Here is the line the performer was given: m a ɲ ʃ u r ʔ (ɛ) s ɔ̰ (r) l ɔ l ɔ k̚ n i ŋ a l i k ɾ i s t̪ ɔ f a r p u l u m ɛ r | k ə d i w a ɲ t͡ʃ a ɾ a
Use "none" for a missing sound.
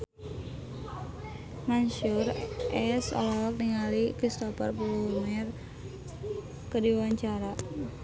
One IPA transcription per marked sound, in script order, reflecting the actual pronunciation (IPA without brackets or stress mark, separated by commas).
ɛ, none